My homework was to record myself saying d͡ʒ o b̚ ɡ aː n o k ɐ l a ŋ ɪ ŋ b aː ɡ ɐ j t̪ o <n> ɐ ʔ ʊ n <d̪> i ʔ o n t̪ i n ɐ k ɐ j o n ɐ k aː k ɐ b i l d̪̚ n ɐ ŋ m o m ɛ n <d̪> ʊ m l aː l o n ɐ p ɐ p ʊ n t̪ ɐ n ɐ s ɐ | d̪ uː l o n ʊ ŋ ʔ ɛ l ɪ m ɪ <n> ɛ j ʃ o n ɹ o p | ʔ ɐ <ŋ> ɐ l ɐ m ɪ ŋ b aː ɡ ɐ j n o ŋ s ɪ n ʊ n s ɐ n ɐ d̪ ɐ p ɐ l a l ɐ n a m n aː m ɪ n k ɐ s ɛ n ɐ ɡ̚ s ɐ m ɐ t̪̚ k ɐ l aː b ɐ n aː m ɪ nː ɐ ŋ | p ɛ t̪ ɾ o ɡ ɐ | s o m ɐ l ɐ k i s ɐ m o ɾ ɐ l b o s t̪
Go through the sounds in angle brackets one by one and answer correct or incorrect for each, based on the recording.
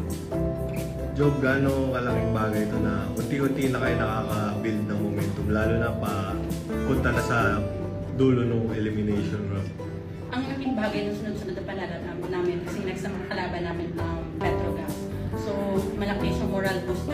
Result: correct, incorrect: t̪, incorrect: t̪, correct, correct

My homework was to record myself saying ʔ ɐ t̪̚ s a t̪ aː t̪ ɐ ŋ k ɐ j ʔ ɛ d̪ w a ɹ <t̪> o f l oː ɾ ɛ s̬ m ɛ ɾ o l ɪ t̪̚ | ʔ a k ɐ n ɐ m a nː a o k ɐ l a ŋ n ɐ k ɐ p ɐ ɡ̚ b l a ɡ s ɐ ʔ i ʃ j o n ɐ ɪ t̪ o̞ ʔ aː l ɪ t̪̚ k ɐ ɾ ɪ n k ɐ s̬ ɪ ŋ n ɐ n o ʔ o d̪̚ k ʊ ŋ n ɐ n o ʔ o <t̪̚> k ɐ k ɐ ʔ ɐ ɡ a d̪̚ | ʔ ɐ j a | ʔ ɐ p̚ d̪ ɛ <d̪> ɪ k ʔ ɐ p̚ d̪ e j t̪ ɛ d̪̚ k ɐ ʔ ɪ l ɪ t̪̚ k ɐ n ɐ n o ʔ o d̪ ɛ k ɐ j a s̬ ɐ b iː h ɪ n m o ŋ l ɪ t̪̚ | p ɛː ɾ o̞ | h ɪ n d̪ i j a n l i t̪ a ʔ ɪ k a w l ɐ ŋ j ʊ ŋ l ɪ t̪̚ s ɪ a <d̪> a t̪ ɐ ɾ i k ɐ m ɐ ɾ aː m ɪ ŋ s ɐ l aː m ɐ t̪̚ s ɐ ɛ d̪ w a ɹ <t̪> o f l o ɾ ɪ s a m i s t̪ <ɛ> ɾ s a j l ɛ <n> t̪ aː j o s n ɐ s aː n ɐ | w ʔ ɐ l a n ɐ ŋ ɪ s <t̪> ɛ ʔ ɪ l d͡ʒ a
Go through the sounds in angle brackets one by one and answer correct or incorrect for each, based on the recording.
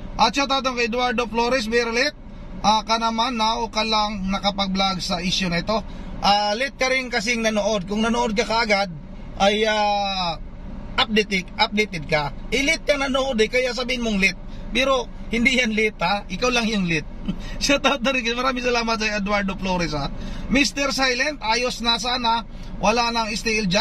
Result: incorrect: d̪, incorrect: d̪̚, incorrect: t̪, incorrect: t̪, incorrect: d̪, correct, correct, correct

